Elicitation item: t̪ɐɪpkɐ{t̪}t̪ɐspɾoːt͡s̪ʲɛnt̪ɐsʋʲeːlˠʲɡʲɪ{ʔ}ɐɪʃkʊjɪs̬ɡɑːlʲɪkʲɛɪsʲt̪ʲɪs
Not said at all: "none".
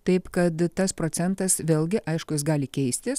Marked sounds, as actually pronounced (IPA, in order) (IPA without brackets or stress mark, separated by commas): t̪, ʔ